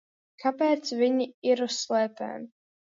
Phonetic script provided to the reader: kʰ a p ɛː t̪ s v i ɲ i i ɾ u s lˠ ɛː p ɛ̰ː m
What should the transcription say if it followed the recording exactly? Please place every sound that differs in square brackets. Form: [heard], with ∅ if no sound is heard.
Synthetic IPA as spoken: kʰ a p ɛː t̪ s v i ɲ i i ɾ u s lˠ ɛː p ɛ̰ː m